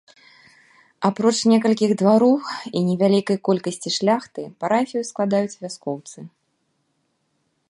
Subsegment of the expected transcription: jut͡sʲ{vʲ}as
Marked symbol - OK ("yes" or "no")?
yes